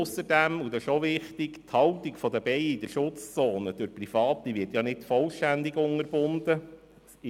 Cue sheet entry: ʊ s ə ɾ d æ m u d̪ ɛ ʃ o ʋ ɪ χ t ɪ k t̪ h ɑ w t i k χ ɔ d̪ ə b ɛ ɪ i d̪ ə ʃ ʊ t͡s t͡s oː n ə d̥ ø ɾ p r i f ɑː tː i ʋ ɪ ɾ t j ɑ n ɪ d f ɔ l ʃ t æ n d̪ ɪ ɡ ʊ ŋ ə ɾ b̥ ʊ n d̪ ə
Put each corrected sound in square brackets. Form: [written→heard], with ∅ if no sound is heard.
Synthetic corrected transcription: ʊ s ə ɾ d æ m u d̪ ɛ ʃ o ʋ ɪ χ t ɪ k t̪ h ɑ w t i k [χ→f] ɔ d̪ ə b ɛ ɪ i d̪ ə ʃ ʊ t͡s t͡s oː n ə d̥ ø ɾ p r i f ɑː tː i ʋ ɪ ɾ t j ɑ n ɪ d f ɔ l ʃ t æ n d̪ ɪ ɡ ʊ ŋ ə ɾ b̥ ʊ n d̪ ə